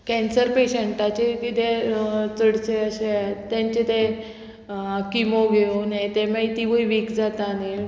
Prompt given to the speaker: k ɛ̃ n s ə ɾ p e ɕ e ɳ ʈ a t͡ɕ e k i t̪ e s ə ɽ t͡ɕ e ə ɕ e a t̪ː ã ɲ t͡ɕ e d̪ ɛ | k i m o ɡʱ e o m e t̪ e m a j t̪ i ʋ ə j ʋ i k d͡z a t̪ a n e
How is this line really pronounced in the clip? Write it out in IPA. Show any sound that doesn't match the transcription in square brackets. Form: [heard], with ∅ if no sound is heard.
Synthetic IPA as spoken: k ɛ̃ n s ə ɾ p e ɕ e ɳ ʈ a t͡ɕ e k i t̪ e [t͡s] ə ɽ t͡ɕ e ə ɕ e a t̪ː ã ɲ t͡ɕ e [t̪] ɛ | k i m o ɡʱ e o [n] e t̪ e m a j t̪ i ʋ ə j ʋ i k d͡z a t̪ a n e

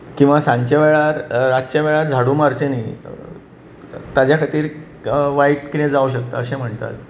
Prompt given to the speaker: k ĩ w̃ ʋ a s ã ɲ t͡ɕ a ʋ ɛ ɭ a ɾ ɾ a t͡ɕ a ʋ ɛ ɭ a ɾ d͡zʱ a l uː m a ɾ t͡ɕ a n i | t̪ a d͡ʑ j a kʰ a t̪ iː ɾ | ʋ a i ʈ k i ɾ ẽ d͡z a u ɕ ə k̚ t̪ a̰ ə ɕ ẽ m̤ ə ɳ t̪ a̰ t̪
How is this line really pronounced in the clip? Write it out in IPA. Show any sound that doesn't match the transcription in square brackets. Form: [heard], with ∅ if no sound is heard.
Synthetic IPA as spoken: k ĩ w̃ ʋ a s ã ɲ t͡ɕ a ʋ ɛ ɭ a ɾ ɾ a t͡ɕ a ʋ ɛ ɭ a ɾ d͡zʱ a [ɽ] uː m a ɾ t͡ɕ [e] n i | t̪ a d͡ʑ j a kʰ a t̪ iː ɾ | ʋ a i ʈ k i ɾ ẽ d͡z a u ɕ ə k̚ t̪ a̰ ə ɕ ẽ m̤ ə ɳ t̪ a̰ t̪

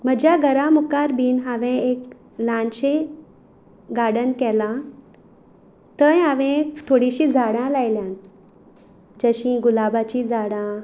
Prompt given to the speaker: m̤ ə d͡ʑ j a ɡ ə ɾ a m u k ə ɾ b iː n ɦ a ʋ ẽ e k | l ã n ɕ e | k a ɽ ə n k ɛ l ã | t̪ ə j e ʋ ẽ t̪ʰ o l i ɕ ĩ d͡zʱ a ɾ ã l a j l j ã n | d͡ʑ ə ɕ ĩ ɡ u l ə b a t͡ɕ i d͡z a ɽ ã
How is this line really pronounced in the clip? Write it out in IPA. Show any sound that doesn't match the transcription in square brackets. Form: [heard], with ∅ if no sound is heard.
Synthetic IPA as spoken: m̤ ə d͡ʑ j a ɡ ə ɾ a m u k [a] ɾ b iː n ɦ a ʋ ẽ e k | l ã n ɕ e | [ɡ] a ɽ ə n k ɛ l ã | t̪ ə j [a] ʋ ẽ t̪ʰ o [ɽ] i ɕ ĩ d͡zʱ a [ɽ] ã l a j l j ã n | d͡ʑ ə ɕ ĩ ɡ u l [a] b a t͡ɕ i d͡z a ɽ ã

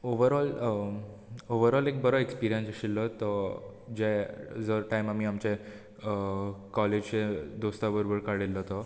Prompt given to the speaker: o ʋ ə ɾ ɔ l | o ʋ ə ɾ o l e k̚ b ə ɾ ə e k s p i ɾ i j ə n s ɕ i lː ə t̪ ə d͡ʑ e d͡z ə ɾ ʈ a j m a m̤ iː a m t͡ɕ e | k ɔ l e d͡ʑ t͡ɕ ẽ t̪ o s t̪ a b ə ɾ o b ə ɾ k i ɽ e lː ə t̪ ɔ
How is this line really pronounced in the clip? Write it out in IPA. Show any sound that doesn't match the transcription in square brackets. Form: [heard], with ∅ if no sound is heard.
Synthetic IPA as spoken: o ʋ ə ɾ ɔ l | o ʋ ə ɾ [ɔ] l e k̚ b ə ɾ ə e k s p i ɾ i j ə n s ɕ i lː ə t̪ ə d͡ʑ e d͡z ə ɾ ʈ a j m a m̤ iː a m t͡ɕ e | k ɔ l e d͡ʑ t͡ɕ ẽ [d̪] o s t̪ a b ə ɾ o b ə ɾ k [a] ɽ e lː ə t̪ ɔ

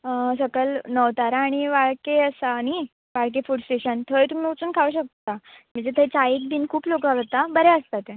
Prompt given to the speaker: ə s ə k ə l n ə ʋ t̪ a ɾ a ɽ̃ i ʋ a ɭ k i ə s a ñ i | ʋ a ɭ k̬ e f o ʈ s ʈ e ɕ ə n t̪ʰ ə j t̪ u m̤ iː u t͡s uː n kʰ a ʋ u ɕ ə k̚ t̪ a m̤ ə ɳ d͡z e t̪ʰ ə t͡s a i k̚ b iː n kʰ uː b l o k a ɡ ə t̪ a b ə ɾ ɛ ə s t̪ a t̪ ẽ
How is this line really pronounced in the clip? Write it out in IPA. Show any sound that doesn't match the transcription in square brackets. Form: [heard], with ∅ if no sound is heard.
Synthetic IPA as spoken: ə s ə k ə l n ə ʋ t̪ a ɾ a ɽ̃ i ʋ a ɭ k [e] ə s a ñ i | ʋ a ɭ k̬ e f [u] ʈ s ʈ e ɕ ə n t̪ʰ ə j t̪ u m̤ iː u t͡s uː n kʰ a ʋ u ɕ ə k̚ t̪ a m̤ ə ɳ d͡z e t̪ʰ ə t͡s a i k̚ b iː n kʰ uː [p] l o k a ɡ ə t̪ a b ə ɾ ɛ ə s t̪ a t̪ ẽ

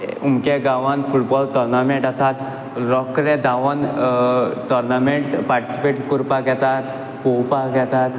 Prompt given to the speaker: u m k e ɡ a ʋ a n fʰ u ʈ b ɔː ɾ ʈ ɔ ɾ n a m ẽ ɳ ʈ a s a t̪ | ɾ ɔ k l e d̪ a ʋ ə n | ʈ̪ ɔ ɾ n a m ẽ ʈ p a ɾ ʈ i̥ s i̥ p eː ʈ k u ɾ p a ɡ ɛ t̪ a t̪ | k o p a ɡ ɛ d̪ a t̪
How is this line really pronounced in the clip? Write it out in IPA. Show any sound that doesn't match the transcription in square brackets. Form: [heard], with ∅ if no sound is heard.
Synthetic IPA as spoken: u m k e ɡ a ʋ a n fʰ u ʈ b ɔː [l] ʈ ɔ ɾ n a m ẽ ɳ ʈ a s a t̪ | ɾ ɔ k [ɾ] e d̪ a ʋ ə n | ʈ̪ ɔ ɾ n a m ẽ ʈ p a ɾ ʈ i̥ s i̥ p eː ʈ k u ɾ p a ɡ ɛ t̪ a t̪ | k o p a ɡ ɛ [t̪] a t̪

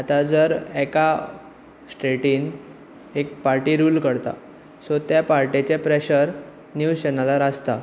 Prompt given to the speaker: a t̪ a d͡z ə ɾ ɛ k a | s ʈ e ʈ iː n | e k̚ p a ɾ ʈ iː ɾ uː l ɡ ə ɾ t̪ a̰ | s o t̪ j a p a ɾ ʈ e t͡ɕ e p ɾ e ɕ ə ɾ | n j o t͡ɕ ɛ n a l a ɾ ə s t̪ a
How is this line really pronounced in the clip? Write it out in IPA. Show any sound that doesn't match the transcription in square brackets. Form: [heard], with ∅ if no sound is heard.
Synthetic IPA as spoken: a t̪ a d͡z ə ɾ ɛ k a | s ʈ e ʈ iː n | e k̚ p a ɾ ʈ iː ɾ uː l [k] ə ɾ t̪ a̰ | s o t̪ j a p a ɾ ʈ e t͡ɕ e p ɾ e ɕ ə ɾ | n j [u] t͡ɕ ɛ n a l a ɾ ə s t̪ a

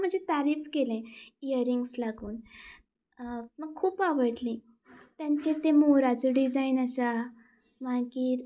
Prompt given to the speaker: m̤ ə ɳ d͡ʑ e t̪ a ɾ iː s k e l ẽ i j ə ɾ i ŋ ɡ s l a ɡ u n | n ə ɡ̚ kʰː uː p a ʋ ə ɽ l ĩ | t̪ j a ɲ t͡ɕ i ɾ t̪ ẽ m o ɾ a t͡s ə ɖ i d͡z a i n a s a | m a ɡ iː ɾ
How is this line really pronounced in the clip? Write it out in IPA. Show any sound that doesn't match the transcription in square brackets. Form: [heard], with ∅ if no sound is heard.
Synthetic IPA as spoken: m̤ ə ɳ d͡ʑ e t̪ a ɾ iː [f] k e l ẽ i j ə ɾ i ŋ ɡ s l a ɡ [uː] n | [m] ə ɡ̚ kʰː uː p a ʋ ə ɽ l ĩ | t̪ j a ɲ t͡ɕ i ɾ t̪ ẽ m o ɾ a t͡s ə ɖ i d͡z a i n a s a | m a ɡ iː ɾ

